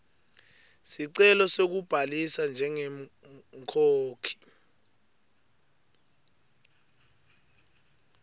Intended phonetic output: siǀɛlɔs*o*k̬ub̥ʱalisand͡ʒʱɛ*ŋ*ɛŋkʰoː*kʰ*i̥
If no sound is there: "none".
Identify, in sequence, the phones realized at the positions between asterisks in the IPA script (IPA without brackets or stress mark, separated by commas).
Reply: o, ŋ, kʰ